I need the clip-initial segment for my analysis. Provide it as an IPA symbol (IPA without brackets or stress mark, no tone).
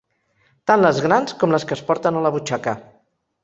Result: t̪